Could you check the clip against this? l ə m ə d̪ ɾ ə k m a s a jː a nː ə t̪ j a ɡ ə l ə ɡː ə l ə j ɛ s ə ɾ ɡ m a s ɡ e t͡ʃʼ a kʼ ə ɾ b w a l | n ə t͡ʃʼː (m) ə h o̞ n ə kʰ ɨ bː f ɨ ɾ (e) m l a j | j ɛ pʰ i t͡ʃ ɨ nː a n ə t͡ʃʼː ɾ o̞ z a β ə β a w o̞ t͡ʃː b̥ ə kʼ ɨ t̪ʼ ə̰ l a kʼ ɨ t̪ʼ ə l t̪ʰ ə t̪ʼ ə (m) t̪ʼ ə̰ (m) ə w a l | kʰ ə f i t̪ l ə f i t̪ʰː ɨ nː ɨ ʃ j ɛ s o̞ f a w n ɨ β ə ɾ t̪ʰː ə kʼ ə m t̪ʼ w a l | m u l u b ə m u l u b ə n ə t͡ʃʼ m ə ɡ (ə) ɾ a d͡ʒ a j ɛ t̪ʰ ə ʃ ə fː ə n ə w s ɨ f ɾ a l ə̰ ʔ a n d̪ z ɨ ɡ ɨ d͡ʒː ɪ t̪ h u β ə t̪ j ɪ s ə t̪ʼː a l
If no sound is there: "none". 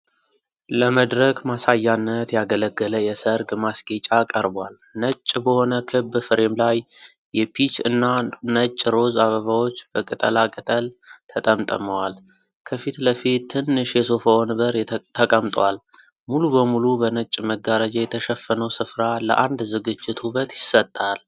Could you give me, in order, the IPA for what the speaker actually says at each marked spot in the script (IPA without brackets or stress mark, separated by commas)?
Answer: b, e, m, m, a